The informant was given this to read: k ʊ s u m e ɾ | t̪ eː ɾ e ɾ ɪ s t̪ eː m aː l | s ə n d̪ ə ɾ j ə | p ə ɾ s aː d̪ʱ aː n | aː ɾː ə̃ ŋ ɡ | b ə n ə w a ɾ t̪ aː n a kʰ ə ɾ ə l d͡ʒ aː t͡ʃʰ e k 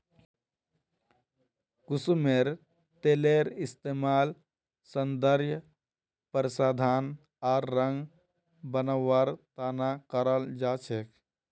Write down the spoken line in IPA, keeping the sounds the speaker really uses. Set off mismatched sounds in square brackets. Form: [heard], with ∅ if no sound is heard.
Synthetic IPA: k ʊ s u m e ɾ | t̪ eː [l] e ɾ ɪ s t̪ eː m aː l | s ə n d̪ ə ɾ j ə | p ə ɾ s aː d̪ʱ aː n | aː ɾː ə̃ ŋ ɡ | b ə n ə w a ɾ t̪ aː n a [k] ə ɾ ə l d͡ʒ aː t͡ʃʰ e k